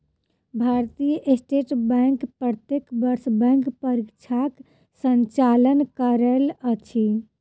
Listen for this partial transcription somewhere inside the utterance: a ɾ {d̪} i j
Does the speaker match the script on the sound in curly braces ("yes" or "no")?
no